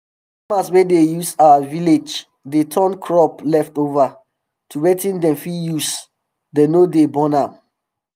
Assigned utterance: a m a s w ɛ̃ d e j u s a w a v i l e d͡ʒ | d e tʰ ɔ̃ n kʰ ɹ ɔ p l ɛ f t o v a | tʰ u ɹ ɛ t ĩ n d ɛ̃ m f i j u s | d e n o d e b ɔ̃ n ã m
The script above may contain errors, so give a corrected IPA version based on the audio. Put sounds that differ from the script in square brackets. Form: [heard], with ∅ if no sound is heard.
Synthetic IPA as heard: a m a s w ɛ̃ d e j u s a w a v i l e d͡ʒ | d e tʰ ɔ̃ n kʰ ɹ ɔ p l ɛ f t o v a | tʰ u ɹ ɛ t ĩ n d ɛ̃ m f i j u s | d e n o d e b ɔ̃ n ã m